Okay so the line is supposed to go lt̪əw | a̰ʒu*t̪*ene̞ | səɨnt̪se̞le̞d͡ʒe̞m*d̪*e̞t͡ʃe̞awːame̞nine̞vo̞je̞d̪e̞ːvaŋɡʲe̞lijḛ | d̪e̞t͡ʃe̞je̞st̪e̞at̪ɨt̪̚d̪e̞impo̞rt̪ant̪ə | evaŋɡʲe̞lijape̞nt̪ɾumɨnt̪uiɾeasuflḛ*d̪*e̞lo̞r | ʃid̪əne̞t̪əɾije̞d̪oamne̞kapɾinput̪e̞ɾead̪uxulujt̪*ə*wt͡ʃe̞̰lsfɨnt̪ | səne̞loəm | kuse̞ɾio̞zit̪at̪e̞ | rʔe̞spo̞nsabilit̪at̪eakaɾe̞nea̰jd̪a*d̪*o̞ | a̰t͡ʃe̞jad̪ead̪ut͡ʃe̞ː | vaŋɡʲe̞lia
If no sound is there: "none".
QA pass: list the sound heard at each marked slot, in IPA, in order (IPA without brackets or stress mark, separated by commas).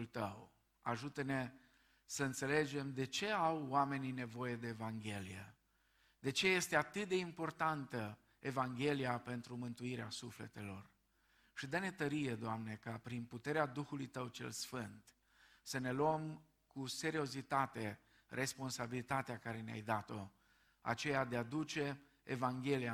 t̪, d̪, t̪, ə, t̪